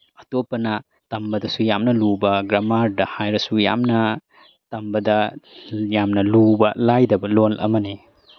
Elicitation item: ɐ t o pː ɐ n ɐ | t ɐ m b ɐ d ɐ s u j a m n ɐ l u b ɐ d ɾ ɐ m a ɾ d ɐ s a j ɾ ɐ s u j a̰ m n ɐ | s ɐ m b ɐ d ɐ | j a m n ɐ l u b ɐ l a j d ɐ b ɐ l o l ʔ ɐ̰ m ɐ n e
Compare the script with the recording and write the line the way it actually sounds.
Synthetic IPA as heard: ɐ t o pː ɐ n ɐ | t ɐ m b ɐ d ɐ s u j a m n ɐ l u b ɐ ɡ ɾ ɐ m a ɾ d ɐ h a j ɾ ɐ s u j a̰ m n ɐ | t ɐ m b ɐ d ɐ | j a m n ɐ l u b ɐ l a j d ɐ b ɐ l o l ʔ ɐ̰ m ɐ n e